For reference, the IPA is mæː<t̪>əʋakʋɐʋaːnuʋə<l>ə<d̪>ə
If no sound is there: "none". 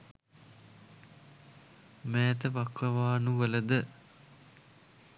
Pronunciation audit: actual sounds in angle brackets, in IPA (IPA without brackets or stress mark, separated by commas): t̪, l, d̪